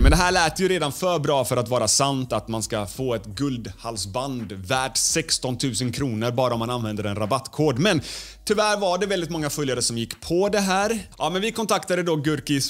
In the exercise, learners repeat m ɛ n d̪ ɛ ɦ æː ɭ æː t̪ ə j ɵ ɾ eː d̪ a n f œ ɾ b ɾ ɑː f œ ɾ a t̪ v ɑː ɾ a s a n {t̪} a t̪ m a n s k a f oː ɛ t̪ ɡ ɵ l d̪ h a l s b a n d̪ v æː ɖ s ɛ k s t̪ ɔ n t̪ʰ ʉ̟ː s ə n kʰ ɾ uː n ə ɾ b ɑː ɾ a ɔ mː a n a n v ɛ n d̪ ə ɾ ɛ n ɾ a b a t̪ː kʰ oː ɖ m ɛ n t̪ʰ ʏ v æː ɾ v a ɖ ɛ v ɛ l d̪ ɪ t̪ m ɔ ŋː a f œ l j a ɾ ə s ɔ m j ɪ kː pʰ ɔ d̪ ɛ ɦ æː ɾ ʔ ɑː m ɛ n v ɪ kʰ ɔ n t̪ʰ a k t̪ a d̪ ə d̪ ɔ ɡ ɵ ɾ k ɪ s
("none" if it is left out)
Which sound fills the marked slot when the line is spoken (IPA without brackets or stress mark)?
t̪